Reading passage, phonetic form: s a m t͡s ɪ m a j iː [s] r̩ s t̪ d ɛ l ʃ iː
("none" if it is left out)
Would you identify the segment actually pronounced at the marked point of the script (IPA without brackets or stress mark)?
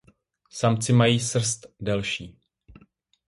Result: s